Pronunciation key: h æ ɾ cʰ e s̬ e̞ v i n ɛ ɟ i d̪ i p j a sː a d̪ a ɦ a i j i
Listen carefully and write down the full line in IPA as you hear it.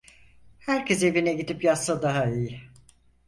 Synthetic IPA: h æ ɾ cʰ e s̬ e̞ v i n ɛ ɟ i d̪ i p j a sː a d̪ a ɦ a i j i